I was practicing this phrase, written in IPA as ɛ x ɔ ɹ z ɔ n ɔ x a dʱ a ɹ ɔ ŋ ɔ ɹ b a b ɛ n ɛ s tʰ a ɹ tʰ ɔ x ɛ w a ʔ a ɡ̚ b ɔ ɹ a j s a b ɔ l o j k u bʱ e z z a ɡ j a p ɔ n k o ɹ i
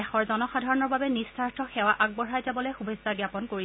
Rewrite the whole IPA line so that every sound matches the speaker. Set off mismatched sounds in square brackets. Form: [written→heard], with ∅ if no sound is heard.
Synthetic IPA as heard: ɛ x ɔ ɹ z ɔ n ɔ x a dʱ a ɹ ɔ [ŋ→n] ɔ ɹ b a b ɛ n [ɛ→i] s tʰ a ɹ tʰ ɔ x ɛ w a ʔ a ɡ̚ b ɔ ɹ a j [s→z] a b ɔ l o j [k→x] u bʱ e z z a ɡ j a p ɔ n k o ɹ i